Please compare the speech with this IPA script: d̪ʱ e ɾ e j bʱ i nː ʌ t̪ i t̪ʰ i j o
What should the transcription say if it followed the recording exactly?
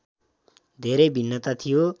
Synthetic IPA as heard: d̪ʱ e ɾ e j bʱ i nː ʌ t̪ a t̪ʰ i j o